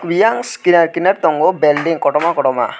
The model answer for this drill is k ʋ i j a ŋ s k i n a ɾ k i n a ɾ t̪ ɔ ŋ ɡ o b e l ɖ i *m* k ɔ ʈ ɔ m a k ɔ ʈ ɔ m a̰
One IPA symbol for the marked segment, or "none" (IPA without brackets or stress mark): ŋ